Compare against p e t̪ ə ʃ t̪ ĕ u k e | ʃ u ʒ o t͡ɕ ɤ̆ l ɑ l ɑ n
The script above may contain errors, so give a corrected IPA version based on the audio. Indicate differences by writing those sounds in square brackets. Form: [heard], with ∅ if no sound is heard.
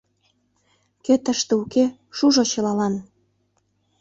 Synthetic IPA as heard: [k] e t̪ ə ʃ t̪ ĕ u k e | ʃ u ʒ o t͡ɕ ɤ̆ l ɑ l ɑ n